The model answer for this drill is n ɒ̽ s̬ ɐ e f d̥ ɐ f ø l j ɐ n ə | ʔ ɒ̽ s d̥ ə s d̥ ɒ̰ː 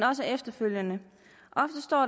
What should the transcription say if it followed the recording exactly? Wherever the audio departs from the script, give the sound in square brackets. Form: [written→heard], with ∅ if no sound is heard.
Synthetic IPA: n ɒ̽ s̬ [ɐ→ə] e f d̥ ɐ f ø l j [ɐ→ə] n ə | ʔ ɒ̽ [s→f] d̥ ə s d̥ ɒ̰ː